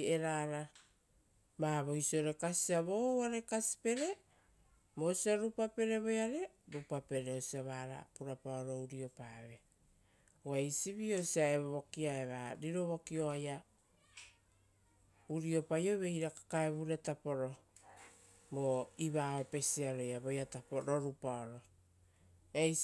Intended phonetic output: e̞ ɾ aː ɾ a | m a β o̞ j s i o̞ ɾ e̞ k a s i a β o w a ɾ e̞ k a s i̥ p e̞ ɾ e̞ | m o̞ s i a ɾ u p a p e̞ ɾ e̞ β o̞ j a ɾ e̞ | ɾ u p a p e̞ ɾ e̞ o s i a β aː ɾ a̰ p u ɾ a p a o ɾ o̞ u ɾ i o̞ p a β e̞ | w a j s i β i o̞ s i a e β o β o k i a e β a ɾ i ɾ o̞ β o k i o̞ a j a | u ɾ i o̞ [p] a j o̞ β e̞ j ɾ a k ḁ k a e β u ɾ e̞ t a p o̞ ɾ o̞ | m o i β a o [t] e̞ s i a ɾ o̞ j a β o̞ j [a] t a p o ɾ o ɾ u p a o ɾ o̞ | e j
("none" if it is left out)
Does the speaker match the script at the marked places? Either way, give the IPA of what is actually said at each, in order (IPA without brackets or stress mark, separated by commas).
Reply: p, p, a